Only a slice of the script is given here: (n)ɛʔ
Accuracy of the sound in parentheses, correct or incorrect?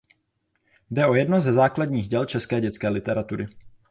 incorrect